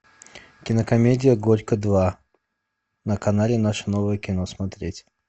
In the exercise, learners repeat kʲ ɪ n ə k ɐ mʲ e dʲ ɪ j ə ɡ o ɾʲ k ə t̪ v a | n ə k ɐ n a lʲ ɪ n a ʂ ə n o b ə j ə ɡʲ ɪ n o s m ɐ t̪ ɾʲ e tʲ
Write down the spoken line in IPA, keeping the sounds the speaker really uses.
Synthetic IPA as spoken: kʲ ɪ n ə k ɐ mʲ e dʲ ɪ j ə ɡ o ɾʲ k ə d̪ v a | n ə k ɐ n a lʲ ɪ n a ʂ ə n o v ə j ə kʲ ɪ n o s m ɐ t̪ ɾʲ e tʲ